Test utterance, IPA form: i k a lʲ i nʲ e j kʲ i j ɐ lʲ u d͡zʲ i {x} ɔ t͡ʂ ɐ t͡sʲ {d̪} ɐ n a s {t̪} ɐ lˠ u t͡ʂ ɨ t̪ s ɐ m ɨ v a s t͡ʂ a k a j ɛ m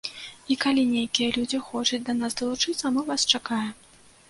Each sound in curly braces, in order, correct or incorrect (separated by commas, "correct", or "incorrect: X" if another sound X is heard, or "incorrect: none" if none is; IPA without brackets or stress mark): correct, correct, incorrect: d̪